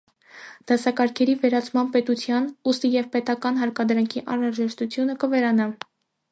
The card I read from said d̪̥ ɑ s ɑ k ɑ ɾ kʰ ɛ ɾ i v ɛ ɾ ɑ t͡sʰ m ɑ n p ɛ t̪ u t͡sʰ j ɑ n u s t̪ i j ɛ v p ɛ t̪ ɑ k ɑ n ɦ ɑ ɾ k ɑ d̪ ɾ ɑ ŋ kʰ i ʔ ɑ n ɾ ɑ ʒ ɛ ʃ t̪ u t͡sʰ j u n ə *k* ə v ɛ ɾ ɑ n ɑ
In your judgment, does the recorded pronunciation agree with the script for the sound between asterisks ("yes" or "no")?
yes